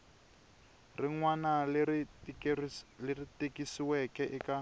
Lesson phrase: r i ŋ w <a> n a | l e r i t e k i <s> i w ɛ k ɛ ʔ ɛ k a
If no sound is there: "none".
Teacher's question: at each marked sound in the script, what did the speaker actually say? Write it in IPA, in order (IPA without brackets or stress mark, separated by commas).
a, s